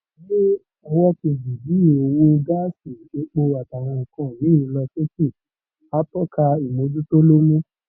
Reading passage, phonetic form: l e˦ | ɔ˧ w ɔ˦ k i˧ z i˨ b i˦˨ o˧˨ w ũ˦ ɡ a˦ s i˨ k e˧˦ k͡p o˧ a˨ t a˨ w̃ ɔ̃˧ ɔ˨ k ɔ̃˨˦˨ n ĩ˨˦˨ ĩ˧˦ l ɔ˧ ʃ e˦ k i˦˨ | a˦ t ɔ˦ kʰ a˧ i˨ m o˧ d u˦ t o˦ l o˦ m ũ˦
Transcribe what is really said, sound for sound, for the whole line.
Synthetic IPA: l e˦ | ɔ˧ w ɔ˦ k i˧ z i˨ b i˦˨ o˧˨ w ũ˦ ɡ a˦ s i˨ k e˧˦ k͡p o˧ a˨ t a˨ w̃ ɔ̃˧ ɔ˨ k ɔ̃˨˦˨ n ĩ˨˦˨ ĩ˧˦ l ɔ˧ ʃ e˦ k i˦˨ | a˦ t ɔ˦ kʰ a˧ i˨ m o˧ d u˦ t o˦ l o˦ m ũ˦